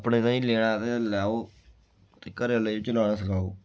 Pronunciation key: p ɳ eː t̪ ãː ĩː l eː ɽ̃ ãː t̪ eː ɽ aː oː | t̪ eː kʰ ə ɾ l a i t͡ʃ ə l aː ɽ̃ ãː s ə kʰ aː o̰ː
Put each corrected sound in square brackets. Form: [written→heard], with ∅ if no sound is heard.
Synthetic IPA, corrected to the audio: p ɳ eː t̪ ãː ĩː l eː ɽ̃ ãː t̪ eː [ɽ→l] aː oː | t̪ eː [kʰ→k] ə ɾ l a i t͡ʃ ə l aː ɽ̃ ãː s ə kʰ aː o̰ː

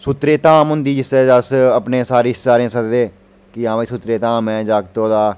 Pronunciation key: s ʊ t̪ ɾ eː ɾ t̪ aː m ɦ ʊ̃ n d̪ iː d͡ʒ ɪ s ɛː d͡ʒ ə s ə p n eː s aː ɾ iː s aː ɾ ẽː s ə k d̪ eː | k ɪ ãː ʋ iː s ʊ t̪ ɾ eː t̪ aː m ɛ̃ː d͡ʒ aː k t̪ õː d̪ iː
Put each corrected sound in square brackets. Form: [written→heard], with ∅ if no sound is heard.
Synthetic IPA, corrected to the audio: s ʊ t̪ ɾ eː [ɾ→∅] t̪ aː m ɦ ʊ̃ n d̪ iː d͡ʒ ɪ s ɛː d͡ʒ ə s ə p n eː s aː ɾ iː s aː ɾ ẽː s ə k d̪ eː | k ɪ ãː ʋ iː s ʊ t̪ ɾ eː t̪ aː m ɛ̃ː d͡ʒ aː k t̪ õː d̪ [iː→aː]

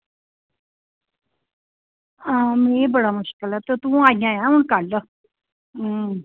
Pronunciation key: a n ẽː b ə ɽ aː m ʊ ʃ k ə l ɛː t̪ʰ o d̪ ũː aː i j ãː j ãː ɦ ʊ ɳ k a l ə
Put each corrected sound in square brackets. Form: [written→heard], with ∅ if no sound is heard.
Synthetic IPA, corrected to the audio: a [n→m] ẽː b ə ɽ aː m ʊ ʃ k ə l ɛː [t̪ʰ→t̪] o [d̪→t̪] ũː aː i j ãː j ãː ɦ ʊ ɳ k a l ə

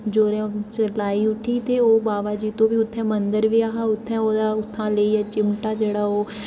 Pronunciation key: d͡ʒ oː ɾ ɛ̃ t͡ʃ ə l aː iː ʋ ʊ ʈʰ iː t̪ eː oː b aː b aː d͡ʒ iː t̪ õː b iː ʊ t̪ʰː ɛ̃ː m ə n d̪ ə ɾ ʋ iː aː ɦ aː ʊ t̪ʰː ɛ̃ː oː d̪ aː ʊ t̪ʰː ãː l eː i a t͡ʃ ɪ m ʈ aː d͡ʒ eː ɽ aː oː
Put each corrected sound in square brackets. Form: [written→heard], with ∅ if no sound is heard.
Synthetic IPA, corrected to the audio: d͡ʒ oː ɾ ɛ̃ t͡ʃ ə l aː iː [ʋ→∅] ʊ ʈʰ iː t̪ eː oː b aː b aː d͡ʒ iː t̪ õː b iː ʊ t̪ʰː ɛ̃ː m ə n d̪ ə ɾ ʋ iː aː ɦ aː ʊ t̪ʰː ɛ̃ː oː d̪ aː ʊ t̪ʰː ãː l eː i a t͡ʃ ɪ m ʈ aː d͡ʒ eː ɽ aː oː

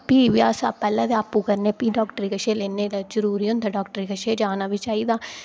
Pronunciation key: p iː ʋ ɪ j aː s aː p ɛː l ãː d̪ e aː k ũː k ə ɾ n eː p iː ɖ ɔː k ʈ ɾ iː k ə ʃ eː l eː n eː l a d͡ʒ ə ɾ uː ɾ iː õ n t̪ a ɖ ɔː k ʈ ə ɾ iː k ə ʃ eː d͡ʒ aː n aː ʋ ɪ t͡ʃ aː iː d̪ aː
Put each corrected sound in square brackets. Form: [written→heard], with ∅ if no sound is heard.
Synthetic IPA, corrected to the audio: p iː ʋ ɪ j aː s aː p ɛː l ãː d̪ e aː [k→p] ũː k ə ɾ n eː p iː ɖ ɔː k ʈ ɾ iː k ə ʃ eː l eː n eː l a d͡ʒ ə ɾ uː ɾ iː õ n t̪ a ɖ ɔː k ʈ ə ɾ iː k ə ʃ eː d͡ʒ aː n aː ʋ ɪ t͡ʃ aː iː d̪ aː

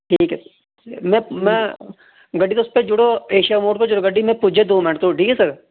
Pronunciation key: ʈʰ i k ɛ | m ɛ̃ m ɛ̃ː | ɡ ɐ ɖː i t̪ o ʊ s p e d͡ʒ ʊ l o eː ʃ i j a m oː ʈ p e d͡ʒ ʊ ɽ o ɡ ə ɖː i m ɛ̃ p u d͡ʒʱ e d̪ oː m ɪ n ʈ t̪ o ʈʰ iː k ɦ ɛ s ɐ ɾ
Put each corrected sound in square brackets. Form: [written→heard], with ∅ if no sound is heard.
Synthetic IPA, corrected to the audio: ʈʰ [i→iː] k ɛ | m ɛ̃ m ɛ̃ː | ɡ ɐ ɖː i t̪ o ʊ s p e d͡ʒ ʊ [l→ɽ] o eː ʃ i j a m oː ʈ p e d͡ʒ ʊ ɽ o ɡ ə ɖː i m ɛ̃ p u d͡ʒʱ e d̪ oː m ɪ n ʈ t̪ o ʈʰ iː k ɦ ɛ s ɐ ɾ

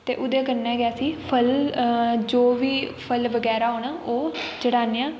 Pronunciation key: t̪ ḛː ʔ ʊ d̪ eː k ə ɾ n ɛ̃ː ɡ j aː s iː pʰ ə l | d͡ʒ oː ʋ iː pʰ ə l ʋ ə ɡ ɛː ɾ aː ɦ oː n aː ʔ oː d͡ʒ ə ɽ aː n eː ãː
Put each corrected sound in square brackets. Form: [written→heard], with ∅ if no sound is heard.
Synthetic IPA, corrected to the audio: t̪ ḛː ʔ ʊ d̪ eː k ə ɾ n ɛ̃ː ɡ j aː s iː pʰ ə l | d͡ʒ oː ʋ iː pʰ ə l ʋ ə ɡ ɛː ɾ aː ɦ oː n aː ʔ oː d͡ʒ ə ɽ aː n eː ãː

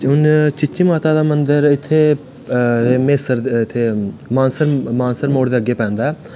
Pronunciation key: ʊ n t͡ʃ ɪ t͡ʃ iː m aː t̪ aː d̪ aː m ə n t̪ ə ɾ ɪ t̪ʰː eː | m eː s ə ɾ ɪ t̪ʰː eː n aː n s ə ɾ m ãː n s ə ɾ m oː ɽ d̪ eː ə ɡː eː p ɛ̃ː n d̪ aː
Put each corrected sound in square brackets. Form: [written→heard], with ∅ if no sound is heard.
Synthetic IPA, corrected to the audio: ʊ n t͡ʃ ɪ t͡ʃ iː m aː t̪ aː d̪ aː m ə n [t̪→d̪] ə ɾ ɪ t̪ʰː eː | m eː s ə ɾ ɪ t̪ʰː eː [n→m] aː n s ə ɾ m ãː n s ə ɾ m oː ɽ d̪ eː ə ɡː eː p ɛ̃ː n d̪ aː

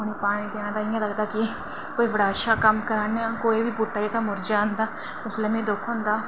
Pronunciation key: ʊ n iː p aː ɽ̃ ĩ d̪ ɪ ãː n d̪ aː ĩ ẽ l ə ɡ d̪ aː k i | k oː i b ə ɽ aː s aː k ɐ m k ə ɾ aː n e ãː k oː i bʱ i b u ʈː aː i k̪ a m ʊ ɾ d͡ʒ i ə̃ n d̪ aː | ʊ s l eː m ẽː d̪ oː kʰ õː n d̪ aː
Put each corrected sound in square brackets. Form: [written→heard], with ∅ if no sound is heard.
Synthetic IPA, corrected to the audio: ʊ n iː p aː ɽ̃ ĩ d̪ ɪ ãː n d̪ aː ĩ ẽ l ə ɡ d̪ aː k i | k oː i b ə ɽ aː [s→ʃ] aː k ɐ m k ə ɾ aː n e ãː k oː i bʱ i b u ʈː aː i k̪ a m ʊ ɾ d͡ʒ [i→a] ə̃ n d̪ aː | ʊ s l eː m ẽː d̪ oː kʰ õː n d̪ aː

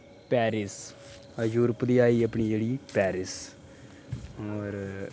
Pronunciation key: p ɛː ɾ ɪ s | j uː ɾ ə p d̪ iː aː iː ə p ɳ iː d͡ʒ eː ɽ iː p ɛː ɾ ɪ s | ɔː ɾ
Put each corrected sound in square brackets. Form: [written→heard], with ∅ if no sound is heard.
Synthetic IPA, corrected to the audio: p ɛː ɾ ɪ s | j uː ɾ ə p d̪ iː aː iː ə p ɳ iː d͡ʒ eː ɽ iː p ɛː ɾ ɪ s | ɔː ɾ

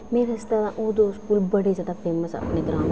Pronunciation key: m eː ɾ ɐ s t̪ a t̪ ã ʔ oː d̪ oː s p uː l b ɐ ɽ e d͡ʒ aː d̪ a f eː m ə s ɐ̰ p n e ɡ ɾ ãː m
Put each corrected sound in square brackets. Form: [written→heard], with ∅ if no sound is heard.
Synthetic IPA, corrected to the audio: m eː ɾ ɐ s t̪ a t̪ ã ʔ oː d̪ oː s [p→k] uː l b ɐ ɽ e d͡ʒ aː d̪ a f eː m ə s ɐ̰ p n e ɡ ɾ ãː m

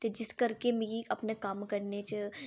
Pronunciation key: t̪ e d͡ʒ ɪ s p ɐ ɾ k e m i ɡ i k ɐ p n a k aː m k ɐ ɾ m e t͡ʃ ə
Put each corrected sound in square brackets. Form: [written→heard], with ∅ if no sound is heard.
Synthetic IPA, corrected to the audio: t̪ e d͡ʒ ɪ s [p→k] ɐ ɾ k e m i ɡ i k ɐ p n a k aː m k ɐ ɾ [m→n] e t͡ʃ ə

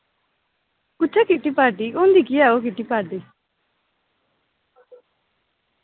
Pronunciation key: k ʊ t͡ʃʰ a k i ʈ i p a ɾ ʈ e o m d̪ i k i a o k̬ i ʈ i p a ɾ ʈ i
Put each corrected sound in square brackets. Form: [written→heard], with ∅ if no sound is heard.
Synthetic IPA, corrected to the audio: k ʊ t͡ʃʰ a k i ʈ i p a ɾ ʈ [e→i] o [m→n] d̪ i k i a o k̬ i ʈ i p a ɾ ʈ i

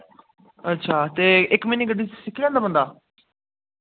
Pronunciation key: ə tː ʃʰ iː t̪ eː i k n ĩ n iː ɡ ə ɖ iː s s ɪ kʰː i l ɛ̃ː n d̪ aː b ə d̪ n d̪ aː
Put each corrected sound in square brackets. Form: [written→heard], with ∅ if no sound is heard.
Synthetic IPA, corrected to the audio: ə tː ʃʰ [iː→aː] t̪ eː [i→ɪ] k [n→m] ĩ n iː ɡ ə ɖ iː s s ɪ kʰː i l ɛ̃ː n d̪ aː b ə [d̪→∅] n d̪ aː

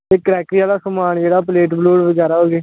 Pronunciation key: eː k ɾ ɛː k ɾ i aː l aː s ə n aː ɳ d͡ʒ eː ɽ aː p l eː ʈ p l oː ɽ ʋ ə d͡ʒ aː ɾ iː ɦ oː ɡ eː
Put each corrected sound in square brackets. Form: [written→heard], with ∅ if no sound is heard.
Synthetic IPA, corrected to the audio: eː k ɾ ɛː k ɾ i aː l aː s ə [n→m] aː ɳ d͡ʒ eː ɽ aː p l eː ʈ [p→b] l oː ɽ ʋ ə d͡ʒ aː ɾ [iː→aː] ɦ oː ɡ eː

